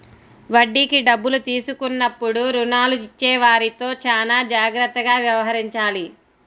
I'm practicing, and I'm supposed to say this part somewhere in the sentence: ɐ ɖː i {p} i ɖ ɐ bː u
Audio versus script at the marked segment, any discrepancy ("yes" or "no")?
yes